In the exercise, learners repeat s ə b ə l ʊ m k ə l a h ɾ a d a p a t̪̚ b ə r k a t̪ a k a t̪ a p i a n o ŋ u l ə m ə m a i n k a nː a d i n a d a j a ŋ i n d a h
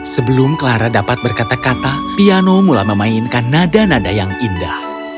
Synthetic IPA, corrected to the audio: s ə b ə l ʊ m k ə l a ɾ a d a p a t̪̚ b ə r k a t̪ a k a t̪ a p i a n o m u l a m ə m a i n k a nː a d a n a d a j a ŋ i n d a h